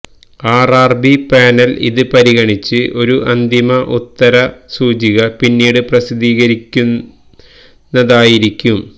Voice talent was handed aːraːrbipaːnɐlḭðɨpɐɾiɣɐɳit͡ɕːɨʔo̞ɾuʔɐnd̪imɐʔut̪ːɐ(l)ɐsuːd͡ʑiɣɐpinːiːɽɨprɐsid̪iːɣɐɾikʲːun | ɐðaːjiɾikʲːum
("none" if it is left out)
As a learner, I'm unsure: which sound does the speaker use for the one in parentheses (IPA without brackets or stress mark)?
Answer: ɾ